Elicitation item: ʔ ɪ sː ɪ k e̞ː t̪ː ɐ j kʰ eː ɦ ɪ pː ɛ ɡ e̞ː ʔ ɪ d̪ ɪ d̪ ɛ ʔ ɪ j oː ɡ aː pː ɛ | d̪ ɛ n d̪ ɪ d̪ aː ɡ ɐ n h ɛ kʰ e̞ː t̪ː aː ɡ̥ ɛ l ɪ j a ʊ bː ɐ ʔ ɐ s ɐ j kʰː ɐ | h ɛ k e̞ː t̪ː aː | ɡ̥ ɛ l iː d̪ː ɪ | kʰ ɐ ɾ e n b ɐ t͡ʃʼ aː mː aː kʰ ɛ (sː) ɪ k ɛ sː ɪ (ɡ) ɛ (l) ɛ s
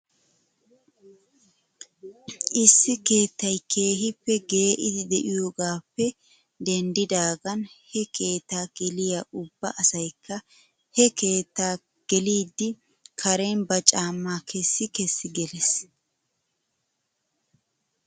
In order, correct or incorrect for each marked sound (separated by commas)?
correct, correct, correct